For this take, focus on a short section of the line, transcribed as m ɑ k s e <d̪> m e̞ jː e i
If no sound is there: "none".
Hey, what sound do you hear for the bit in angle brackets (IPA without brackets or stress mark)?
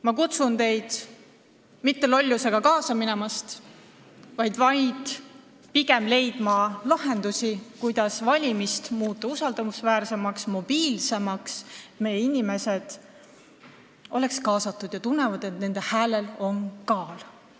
t̪